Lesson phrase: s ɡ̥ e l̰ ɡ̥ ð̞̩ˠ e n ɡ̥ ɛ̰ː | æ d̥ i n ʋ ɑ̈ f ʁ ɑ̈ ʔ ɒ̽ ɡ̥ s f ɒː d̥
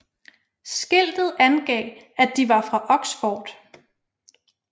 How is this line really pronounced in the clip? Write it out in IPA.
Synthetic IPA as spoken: s ɡ̥ e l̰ d̥ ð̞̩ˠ æ n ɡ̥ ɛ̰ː | æ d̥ i ʋ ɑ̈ f ʁ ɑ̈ ʔ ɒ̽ ɡ̥ s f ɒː d̥